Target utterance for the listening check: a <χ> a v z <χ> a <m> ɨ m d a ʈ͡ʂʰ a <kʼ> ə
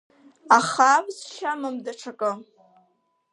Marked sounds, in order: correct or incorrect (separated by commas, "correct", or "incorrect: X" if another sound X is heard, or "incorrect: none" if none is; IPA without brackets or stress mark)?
correct, incorrect: ʃ, correct, correct